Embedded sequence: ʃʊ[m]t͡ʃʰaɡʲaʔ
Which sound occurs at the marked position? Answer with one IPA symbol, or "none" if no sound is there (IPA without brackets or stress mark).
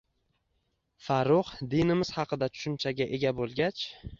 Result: n